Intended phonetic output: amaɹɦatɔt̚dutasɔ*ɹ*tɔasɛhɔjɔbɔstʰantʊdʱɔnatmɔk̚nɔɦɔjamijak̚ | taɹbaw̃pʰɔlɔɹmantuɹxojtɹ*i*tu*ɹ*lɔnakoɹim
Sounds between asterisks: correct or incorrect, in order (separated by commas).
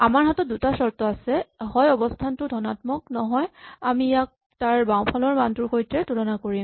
correct, incorrect, incorrect